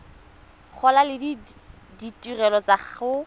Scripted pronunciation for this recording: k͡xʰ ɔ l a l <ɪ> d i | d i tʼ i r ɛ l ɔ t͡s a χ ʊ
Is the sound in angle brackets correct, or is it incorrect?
correct